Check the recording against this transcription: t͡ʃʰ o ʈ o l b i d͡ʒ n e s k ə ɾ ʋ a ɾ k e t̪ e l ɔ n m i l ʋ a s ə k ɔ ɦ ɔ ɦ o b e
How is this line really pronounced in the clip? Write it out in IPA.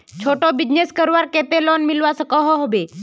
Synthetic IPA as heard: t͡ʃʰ o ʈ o b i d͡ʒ n e s k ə ɾ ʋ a ɾ k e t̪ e l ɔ n m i l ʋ a s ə k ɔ ɦ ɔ ɦ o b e